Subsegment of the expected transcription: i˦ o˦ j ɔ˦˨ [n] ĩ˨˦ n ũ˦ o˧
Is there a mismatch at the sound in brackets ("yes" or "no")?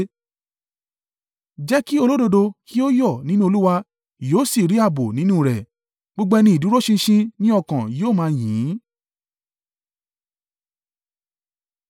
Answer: no